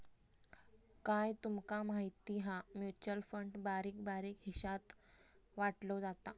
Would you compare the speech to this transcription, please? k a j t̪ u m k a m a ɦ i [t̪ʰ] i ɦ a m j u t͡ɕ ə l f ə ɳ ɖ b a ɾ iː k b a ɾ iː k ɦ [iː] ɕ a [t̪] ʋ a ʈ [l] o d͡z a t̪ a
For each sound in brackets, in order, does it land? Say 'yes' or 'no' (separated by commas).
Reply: no, no, yes, yes